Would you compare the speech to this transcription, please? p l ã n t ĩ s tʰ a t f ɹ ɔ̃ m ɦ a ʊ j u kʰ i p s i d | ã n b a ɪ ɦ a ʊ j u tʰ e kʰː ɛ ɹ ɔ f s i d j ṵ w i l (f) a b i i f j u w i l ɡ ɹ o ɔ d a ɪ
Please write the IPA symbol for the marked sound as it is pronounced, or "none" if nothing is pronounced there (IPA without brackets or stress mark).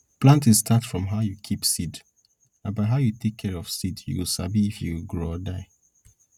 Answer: s